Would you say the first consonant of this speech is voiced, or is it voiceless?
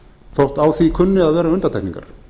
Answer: voiceless